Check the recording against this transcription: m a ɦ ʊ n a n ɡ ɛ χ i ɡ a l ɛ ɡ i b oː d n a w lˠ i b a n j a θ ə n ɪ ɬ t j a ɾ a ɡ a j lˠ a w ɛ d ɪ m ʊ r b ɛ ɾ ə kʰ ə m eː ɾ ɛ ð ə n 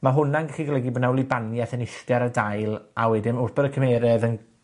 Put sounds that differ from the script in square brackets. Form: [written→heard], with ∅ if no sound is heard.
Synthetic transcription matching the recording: m a ɦ ʊ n a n ɡ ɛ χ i ɡ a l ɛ ɡ i b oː d n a w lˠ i b a n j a θ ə n ɪ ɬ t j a ɾ a [ɡ→d] a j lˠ a w ɛ d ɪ m ʊ r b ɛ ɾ ə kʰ ə m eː ɾ ɛ ð ə n